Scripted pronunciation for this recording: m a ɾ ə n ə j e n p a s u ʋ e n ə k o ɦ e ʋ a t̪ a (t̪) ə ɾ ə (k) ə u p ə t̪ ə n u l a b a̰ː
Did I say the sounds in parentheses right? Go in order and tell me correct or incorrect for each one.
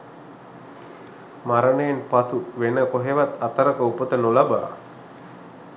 correct, correct

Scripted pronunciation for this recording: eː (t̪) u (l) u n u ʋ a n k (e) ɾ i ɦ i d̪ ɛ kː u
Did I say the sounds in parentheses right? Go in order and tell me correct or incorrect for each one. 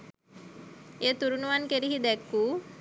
correct, incorrect: ɾ, correct

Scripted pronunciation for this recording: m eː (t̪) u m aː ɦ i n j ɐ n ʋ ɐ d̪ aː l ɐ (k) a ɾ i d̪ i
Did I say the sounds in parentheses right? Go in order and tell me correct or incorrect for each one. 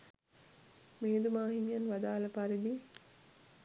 incorrect: d̪, incorrect: p

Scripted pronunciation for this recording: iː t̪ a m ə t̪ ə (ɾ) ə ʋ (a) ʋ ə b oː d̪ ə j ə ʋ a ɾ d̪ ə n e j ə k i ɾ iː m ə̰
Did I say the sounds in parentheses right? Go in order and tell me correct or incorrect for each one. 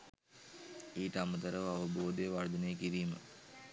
correct, correct

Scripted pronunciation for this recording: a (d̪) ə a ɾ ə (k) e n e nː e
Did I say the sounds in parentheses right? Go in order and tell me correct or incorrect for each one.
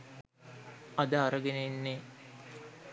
correct, incorrect: ɡ

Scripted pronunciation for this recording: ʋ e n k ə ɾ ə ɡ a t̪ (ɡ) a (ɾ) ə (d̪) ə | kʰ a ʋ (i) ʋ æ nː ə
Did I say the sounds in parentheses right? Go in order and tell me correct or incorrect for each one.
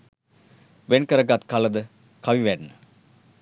incorrect: k, incorrect: l, correct, correct

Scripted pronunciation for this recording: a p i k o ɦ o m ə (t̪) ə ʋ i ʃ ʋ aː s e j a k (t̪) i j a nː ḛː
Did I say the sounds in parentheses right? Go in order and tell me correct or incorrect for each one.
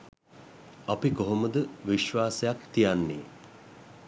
incorrect: d̪, correct

